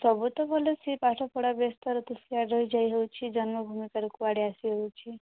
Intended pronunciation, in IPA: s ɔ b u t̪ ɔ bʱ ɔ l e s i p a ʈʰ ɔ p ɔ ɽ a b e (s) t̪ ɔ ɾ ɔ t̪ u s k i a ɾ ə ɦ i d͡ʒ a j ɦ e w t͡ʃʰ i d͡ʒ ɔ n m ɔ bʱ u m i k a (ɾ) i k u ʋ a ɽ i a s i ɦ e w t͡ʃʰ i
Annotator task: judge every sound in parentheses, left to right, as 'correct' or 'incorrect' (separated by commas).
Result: correct, correct